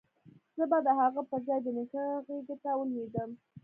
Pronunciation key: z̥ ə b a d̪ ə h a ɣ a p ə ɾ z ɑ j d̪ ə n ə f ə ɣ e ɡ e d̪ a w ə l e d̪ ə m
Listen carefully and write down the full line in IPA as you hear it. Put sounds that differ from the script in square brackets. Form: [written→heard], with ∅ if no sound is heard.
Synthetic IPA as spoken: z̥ ə b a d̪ ə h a ɣ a p ə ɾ z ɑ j d̪ ə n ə [f→x] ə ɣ e ɡ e [d̪→t̪] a w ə l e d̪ ə m